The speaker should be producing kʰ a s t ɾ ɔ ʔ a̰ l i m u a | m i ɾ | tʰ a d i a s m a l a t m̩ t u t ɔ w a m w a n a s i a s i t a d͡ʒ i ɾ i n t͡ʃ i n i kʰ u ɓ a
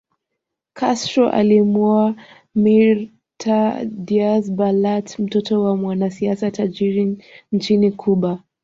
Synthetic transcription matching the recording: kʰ a s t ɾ ɔ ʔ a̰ l i m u a | m i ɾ | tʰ a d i a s b a l a t m̩ t ɔ t ɔ w a m w a n a s i a s a t a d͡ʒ i ɾ i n t͡ʃ i n i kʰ u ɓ a

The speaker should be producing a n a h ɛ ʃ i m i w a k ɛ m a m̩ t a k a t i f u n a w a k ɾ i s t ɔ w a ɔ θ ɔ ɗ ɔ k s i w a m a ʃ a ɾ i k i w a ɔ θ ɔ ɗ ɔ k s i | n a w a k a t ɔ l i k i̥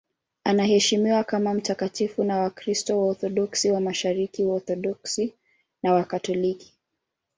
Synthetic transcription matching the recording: a n a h ɛ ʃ i m i w a k a m a m̩ t a k a t i f u n a w a k ɾ i s t ɔ w a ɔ θ ɔ ɗ ɔ k s i w a m a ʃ a ɾ i k i w a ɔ θ ɔ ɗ ɔ k s i | n a w a k a t ɔ l i k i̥

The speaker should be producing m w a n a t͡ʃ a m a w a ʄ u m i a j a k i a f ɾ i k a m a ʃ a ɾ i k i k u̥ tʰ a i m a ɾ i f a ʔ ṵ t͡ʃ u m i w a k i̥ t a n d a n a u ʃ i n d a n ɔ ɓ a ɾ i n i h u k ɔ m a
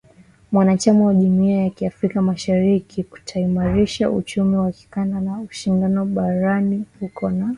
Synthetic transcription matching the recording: m w a n a t͡ʃ a m a w a ʄ u m i a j a k i a f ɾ i k a m a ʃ a ɾ i k i k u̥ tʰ a i m a ɾ i ʃ a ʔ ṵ t͡ʃ u m i w a k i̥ k a n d a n a u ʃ i n d a n ɔ ɓ a ɾ a n i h u k ɔ n a

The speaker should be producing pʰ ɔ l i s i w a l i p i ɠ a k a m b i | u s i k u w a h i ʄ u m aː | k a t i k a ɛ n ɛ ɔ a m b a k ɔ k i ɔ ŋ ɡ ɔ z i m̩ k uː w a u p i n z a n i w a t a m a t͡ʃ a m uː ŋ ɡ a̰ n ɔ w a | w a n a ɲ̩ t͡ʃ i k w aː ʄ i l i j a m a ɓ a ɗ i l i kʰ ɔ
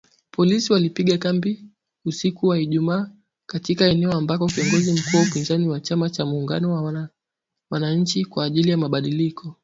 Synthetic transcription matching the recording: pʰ ɔ l i s i w a l i p i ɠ a k a m b i | u s i k u w a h i ʄ u m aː | k a t i k a ɛ n ɛ ɔ a m b a k ɔ k i ɔ ŋ ɡ ɔ z i m̩ k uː w a u p i n z a n i w a t͡ʃ a m a t͡ʃ a m uː ŋ ɡ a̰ n ɔ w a | w a n a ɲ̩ t͡ʃ i k w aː ʄ i l i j a m a ɓ a ɗ i l i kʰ ɔ

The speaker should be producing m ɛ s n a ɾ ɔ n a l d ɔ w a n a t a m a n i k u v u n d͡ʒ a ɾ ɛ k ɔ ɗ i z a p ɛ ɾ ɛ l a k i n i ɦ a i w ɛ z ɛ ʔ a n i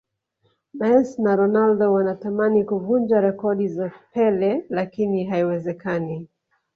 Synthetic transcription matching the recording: m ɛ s n a ɾ ɔ n a l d ɔ w a n a t a m a n i k u v u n d͡ʒ a ɾ ɛ k ɔ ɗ i z a p ɛ l ɛ l a k i n i ɦ a i w ɛ z ɛ k a n i

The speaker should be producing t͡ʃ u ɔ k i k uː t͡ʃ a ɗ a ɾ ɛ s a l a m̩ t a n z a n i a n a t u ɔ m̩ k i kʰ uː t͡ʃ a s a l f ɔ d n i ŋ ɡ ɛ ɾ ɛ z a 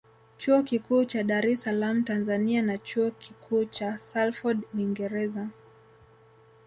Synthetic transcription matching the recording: t͡ʃ u ɔ k i k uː t͡ʃ a ɗ a ɾ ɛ s a l a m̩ t a n z a n i a n a t͡ʃ u ɔ k i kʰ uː t͡ʃ a s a l f ɔ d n i ŋ ɡ ɛ ɾ ɛ z a

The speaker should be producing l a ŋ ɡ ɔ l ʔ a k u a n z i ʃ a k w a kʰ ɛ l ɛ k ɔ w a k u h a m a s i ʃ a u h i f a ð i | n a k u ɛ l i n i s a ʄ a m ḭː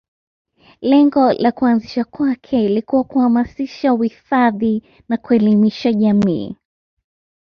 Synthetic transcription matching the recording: l ɛ ŋ ɡ ɔ l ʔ a k u a n z i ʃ a k w a kʰ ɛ l i k u w a k u h a m a s i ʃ a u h i f a ð i | n a k u ɛ l i m i ʃ a ʄ a m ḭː

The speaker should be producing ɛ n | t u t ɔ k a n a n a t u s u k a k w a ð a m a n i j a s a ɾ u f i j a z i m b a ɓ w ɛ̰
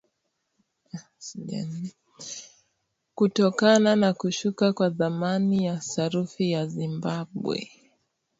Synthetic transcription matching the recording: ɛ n | k u t ɔ k a n a n a k u ʃ u k a k w a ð a m a n i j a s a ɾ u f i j a z i m b a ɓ w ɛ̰

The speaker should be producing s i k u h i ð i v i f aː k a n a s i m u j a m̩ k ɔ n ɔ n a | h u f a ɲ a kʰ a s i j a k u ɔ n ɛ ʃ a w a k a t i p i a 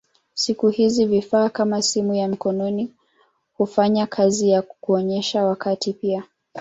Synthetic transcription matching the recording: s i k u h i z i v i f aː k a m a s i m u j a m̩ k ɔ n ɔ n i | h u f a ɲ a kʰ a z i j a k u ɔ ɲ ɛ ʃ a w a k a t i p i a

